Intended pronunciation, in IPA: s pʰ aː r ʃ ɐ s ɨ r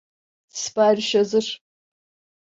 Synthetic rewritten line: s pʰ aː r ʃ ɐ z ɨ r

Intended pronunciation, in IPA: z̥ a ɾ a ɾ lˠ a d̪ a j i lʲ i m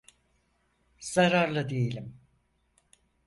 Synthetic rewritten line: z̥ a ɾ a ɾ lˠ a d̪ e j e lʲ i m

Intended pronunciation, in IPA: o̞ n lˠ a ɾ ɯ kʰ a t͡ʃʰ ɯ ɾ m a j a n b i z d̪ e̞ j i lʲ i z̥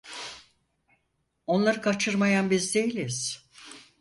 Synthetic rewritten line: o̞ n lˠ a ɾ ɯ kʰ a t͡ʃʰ ɯ ɾ m a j a n b i z d̪ e̞ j i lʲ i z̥

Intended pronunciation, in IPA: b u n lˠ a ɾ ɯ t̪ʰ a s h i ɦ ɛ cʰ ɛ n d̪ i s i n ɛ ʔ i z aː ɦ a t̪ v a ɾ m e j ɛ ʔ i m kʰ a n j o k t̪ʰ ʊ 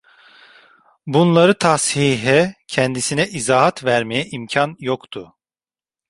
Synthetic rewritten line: b u n lˠ a ɾ ɯ t̪ʰ a s h i ɦ ɛ cʰ ɛ n d̪ i s i n ɛ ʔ i z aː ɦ a t̪ v æ ɾ m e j ɛ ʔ i m cʰ a n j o k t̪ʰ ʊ

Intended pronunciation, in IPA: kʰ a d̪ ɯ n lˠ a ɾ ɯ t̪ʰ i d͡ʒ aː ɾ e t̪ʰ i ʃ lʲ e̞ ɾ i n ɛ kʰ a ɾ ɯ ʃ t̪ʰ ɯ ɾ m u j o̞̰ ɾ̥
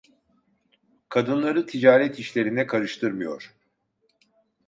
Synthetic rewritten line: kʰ a d̪ ɯ n lˠ a ɾ ɯ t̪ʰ i d͡ʒ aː ɾ ɛ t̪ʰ i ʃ lʲ e̞ ɾ i n ɛ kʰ a ɾ ɯ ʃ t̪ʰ ɯ ɾ m ɯ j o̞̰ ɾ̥

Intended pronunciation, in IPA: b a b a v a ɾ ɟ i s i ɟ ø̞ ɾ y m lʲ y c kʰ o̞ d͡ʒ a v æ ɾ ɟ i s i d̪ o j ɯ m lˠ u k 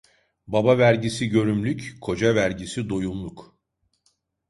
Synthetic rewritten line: b a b a v æ ɾ ɟ i s i ɟ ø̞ ɾ y m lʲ y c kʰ o̞ d͡ʒ a v æ ɾ ɟ i s i d̪ o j u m lˠ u k

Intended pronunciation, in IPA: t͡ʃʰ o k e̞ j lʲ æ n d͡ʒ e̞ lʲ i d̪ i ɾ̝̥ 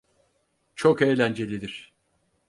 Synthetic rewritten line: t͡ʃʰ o k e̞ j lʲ æ n d͡ʒ e̞ lʲ i d̪ i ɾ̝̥

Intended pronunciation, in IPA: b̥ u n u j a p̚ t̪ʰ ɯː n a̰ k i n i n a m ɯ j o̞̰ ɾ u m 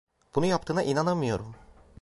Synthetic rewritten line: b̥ u n u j a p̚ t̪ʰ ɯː n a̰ ʔ i n a n a m ɯ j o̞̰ ɾ u m

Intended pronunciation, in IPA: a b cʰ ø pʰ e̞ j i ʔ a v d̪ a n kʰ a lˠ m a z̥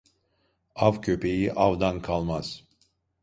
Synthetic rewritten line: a v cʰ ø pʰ e̞ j i ʔ a v d̪ a n kʰ a lˠ m a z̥

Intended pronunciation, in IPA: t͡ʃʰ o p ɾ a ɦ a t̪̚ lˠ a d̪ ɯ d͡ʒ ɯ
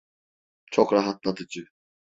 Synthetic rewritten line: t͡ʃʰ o k ɾ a ɦ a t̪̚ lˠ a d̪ ɯ d͡ʒ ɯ

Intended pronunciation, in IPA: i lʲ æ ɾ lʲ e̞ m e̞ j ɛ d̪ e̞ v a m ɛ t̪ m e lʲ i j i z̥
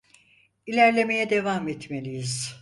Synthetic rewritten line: i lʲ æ ɾ lʲ e̞ m e̞ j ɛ d̪ e̞ v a m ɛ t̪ m e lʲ i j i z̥

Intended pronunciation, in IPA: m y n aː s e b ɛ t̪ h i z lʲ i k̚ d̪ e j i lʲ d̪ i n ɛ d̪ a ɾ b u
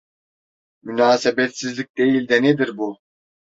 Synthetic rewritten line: m y n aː s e b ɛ t̪ s i z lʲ i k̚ d̪ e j i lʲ d̪ ɛ n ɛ d̪ i ɾ b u

